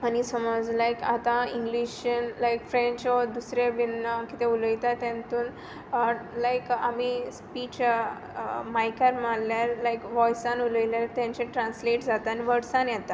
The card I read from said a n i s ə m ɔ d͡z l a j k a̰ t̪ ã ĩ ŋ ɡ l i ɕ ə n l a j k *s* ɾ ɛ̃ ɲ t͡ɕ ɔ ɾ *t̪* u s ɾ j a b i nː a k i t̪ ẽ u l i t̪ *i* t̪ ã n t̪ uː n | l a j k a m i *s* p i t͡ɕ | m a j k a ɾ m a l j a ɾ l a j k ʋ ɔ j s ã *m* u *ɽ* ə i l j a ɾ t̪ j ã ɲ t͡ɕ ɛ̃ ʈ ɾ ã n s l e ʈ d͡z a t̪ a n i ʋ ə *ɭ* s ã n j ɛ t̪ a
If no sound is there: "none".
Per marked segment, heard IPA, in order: f, d̪, a, s, n, l, ɽ

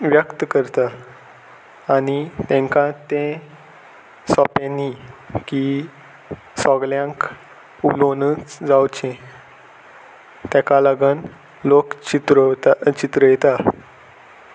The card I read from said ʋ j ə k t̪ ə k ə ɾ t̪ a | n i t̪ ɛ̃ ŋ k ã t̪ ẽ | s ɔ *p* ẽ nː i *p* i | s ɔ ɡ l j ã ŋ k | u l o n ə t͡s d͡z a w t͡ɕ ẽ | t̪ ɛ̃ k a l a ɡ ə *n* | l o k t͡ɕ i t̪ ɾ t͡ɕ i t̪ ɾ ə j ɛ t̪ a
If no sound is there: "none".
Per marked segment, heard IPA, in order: p, k, n

